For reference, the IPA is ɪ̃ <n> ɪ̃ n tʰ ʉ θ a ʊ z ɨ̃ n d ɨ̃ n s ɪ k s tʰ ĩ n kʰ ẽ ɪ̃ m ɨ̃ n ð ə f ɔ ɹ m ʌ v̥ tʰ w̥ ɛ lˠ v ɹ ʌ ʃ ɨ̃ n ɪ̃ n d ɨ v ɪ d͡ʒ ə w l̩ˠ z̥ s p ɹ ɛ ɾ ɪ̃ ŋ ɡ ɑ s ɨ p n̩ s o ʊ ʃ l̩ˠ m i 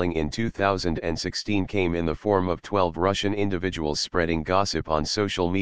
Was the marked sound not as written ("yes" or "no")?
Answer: yes